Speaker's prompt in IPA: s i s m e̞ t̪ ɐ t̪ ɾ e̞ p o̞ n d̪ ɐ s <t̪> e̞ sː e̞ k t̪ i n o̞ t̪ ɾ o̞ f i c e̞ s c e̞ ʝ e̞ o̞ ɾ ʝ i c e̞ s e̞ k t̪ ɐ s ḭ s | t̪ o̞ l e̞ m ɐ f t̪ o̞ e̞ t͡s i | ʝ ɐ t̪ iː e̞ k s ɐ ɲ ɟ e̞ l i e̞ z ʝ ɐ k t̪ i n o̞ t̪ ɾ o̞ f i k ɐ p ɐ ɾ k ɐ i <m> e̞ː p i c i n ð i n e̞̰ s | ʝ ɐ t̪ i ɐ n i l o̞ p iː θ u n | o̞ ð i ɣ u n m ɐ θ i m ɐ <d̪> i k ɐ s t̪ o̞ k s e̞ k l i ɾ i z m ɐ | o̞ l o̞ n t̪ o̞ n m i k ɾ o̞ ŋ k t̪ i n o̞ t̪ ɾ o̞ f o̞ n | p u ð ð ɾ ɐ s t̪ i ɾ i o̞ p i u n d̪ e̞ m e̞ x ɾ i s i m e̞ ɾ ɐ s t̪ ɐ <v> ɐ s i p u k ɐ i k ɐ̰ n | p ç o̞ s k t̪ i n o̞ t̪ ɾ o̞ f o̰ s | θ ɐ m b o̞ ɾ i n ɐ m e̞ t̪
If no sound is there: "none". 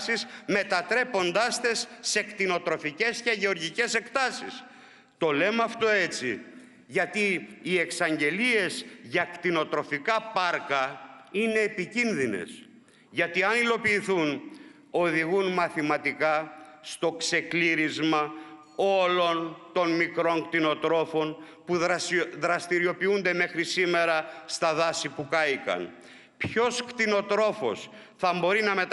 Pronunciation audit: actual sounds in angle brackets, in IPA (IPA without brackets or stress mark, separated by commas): t̪, n, t̪, ð